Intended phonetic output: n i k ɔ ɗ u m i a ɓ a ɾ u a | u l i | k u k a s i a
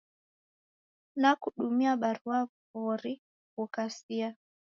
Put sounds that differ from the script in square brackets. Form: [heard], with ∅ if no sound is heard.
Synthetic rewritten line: n [a] k [u] ɗ u m i a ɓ a ɾ u a | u [ɾ] i | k u k a s i a